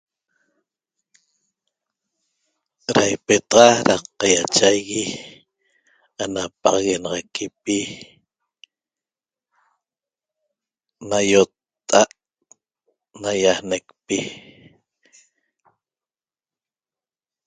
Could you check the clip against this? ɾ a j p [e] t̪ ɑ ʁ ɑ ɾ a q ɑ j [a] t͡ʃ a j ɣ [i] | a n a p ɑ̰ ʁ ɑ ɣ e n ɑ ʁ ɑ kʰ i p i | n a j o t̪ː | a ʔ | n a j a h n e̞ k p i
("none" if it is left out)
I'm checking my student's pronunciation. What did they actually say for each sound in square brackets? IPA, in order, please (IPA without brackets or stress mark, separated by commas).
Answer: e, a, i